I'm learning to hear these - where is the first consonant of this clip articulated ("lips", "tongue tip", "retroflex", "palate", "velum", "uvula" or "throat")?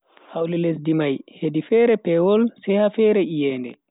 throat